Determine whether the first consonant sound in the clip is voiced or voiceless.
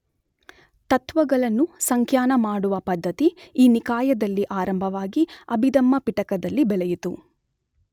voiceless